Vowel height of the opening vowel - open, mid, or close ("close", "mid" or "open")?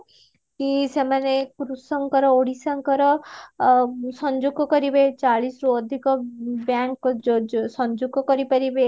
close